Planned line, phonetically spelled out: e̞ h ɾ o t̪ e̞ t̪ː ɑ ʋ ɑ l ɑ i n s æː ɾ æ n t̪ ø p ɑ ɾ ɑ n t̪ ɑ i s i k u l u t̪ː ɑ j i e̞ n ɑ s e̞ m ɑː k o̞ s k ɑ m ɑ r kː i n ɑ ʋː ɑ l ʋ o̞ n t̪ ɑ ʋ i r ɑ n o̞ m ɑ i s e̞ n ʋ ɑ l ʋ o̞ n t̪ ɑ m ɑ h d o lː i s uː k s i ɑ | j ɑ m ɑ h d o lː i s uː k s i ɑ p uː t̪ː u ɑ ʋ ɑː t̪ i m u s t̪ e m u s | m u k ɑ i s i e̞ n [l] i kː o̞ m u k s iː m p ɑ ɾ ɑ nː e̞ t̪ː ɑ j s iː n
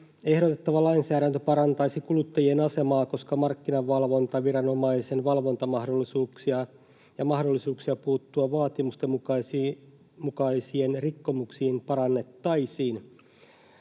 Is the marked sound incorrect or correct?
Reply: incorrect